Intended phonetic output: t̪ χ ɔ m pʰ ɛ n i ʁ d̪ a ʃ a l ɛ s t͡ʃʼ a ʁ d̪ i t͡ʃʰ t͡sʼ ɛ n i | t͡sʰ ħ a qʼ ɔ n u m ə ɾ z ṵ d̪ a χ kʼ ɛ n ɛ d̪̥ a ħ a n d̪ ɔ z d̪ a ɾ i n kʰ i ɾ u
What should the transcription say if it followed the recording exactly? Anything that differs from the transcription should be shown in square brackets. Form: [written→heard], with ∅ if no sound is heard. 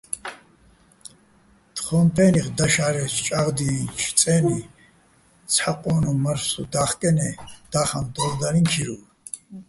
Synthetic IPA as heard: t̪ χ ɔ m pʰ ɛ n i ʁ d̪ a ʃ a [l→ɾ] ɛ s t͡ʃʼ a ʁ d̪ i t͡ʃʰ t͡sʼ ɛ n i | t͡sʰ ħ a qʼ ɔ n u m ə ɾ [z→s] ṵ d̪ a χ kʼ ɛ n ɛ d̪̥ a [ħ→χ] a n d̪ ɔ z d̪ a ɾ i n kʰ i ɾ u